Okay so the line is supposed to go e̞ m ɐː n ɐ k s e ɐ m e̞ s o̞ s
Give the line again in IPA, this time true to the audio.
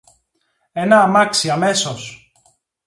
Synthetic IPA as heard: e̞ n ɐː m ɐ k s i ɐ m e̞ s o̞ s